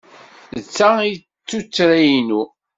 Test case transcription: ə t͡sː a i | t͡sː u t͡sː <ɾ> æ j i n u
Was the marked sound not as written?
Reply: no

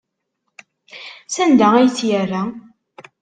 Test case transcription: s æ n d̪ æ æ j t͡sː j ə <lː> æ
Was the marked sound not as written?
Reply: yes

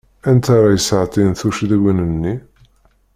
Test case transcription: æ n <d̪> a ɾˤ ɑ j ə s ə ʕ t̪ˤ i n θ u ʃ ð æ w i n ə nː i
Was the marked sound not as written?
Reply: yes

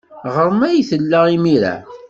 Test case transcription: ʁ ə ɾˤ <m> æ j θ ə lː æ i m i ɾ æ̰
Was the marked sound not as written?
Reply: no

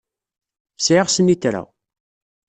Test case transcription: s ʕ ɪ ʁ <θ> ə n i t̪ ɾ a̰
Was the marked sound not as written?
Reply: yes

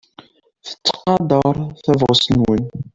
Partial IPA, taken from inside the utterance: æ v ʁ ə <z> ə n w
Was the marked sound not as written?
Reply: yes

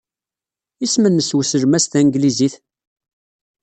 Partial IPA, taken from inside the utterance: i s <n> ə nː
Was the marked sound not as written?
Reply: yes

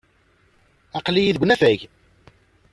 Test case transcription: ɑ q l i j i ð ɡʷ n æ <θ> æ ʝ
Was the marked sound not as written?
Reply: yes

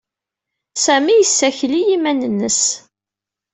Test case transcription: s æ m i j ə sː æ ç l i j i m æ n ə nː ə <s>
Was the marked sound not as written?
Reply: no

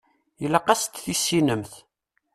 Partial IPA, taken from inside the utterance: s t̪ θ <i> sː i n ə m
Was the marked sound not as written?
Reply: no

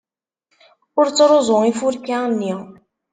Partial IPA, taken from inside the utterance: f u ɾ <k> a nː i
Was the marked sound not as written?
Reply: no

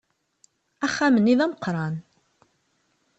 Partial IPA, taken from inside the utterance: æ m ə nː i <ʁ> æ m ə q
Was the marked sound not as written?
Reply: yes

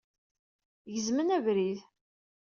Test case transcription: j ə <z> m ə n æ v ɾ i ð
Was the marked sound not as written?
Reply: no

